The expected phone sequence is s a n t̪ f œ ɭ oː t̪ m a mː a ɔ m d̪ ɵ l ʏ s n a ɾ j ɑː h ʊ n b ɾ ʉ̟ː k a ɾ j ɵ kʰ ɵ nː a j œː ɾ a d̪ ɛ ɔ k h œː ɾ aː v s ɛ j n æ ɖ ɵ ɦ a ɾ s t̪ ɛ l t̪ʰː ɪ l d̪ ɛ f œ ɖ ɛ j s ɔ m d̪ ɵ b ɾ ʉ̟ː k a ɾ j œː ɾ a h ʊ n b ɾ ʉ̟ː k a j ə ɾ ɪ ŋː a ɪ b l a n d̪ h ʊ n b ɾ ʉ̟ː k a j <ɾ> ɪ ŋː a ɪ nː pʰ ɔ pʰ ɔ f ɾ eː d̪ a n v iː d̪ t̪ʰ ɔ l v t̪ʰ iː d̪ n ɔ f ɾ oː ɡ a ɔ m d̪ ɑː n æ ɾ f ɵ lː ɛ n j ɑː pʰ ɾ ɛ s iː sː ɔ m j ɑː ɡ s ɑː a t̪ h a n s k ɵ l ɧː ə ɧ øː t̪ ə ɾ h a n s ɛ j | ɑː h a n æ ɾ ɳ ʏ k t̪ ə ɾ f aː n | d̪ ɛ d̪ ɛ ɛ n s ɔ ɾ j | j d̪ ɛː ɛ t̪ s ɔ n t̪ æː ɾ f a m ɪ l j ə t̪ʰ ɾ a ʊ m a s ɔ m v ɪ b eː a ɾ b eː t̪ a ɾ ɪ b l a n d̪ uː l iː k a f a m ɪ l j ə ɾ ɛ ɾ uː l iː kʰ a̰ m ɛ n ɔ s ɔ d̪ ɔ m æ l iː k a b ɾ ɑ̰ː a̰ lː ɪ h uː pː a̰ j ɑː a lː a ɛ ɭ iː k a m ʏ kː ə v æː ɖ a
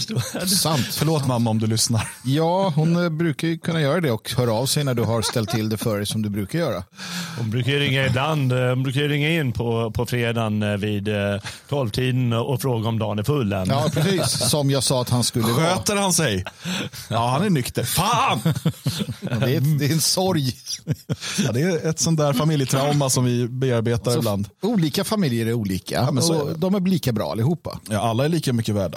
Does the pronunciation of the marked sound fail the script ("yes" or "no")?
no